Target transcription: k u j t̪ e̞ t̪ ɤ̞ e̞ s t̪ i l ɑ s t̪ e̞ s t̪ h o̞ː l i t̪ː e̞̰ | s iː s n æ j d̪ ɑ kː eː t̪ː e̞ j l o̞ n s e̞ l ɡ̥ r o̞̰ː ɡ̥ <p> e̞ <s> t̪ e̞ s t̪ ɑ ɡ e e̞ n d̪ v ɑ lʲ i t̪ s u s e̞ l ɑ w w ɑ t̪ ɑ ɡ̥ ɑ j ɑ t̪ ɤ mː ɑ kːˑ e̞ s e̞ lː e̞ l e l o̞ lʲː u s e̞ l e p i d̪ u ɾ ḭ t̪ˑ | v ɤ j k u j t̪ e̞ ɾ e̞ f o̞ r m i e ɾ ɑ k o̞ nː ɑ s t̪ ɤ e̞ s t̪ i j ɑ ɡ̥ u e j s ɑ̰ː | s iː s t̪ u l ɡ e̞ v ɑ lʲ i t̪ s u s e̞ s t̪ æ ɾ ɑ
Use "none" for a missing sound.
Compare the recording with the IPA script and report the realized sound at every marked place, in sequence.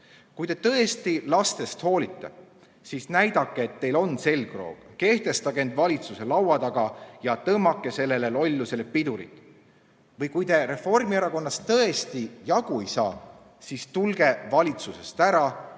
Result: k, h

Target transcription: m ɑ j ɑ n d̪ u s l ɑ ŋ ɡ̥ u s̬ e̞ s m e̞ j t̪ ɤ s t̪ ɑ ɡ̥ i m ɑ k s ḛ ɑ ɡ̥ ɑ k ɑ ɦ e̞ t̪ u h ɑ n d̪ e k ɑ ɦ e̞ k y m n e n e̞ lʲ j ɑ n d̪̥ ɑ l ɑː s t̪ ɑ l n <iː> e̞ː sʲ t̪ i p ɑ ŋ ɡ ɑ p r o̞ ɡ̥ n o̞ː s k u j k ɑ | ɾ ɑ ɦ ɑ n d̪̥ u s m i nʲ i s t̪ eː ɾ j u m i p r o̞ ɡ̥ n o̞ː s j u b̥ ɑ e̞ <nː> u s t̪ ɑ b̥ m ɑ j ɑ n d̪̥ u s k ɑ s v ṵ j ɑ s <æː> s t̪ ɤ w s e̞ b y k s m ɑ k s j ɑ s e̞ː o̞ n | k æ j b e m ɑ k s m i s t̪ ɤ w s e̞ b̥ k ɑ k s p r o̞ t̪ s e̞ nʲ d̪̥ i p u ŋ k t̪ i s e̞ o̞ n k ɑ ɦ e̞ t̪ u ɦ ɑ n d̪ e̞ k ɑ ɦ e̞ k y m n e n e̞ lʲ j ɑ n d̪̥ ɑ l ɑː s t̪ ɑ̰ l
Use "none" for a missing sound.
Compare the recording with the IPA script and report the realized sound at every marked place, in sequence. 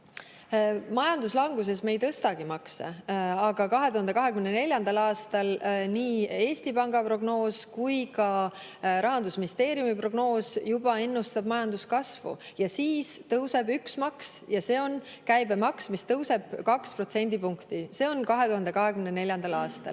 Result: iː, nː, iː

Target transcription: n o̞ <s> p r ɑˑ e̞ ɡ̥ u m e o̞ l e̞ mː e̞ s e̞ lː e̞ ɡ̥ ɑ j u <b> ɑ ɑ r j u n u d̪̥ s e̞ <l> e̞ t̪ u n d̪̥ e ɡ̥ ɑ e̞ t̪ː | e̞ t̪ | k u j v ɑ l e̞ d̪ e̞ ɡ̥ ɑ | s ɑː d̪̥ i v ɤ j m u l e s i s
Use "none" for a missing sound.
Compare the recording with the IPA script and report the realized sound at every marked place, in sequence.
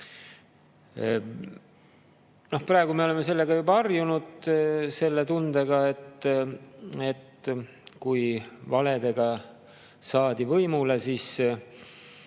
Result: h, b, lː

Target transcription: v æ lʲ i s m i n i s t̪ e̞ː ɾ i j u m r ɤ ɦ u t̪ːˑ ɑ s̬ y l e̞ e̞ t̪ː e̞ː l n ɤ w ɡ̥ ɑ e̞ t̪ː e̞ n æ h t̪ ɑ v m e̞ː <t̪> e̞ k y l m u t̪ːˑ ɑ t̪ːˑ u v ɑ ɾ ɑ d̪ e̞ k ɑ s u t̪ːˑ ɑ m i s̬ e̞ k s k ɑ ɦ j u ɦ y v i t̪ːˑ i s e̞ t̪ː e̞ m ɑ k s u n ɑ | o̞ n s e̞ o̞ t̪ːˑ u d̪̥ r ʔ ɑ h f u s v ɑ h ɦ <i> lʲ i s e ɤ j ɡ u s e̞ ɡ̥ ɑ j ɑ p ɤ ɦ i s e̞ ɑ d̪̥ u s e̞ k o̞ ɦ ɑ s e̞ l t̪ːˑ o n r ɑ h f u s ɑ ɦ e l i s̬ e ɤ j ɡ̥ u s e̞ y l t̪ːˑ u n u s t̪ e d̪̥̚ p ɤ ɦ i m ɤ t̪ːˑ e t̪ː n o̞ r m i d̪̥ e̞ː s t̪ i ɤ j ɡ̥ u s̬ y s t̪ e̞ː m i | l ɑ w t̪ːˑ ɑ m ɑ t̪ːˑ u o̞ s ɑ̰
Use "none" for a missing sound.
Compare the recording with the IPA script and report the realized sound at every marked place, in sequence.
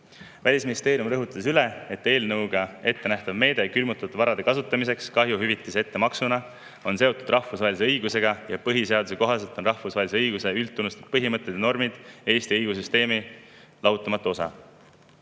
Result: d̪, e

